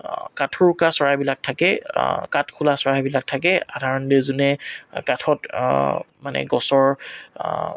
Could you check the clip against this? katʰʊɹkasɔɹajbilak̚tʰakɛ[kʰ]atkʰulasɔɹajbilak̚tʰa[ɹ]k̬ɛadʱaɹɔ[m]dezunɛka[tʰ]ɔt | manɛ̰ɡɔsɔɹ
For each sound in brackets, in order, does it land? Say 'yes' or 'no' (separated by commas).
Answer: no, no, no, yes